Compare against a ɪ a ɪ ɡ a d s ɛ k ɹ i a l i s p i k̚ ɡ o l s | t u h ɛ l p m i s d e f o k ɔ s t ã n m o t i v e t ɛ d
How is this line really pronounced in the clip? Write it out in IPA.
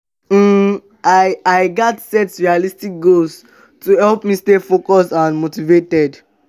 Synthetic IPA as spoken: a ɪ a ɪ ɡ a t s ɛ t ɹ i a l i s t i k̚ ɡ o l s | t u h ɛ l p m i s t e f o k ɔ s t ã n m o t i v e t ɛ d

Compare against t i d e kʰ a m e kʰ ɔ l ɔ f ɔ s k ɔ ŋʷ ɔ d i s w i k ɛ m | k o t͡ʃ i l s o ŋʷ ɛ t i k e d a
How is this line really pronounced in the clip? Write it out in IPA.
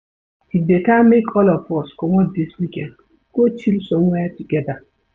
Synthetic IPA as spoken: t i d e k a m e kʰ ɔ l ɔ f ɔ s k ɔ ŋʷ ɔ d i s w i k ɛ n | k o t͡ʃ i l s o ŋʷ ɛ t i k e d a

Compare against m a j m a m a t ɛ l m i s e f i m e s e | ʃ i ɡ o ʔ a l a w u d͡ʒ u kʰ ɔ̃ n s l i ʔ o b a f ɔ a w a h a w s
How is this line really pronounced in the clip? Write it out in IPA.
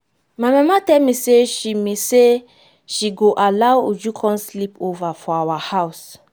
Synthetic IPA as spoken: m a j m a m a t ɛ l m i s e ʃ i m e s e | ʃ i ɡ o ʔ a l a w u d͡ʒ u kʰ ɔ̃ n s l i p o v a f ɔ a w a h a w s

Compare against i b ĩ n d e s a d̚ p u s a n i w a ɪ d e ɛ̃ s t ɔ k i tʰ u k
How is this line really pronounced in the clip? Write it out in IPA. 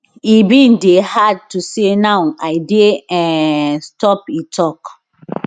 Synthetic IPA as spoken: i b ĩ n d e h a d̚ t u s e n a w a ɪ d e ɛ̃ s t ɔ p i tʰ ɔ k

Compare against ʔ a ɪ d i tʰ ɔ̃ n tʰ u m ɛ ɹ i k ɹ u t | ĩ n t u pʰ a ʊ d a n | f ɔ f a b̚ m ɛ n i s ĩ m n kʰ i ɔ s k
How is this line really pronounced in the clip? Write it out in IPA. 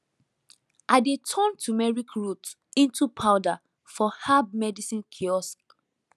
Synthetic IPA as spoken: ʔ a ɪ d e tʰ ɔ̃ n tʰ u m ɛ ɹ i k ɹ u t | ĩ n t u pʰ a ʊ d a | f ɔ h a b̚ m ɛ d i s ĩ n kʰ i ɔ s k

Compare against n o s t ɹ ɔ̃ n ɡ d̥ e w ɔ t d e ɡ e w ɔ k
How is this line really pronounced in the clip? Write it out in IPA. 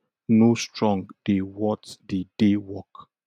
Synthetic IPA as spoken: n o s t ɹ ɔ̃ ŋ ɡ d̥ e w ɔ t d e d e w ɔ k

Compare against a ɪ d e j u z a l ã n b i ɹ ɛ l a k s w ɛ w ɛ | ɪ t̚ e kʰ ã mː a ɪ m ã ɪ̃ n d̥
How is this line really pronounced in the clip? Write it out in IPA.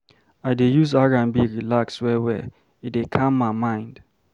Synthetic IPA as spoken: a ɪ d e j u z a ɹ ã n b i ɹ i l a k s w ɛ w ɛ | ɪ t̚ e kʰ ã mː a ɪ m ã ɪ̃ n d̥

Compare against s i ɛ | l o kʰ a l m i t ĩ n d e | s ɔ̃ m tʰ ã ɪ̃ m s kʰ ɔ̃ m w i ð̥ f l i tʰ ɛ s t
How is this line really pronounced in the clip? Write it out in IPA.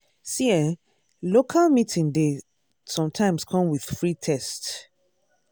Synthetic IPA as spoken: s i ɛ | l o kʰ a l m i t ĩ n d e | s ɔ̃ m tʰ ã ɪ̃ m s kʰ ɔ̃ m w i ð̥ f ɹ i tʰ ɛ s t

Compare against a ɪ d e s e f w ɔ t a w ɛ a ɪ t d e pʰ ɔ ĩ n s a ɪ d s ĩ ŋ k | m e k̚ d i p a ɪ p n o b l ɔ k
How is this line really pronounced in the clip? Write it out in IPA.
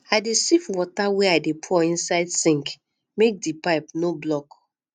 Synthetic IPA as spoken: a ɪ d e s i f w ɔ t a w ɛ a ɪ d e pʰ ɔ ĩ n s a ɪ d s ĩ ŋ k | m e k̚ d i p a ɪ p n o b l ɔ k

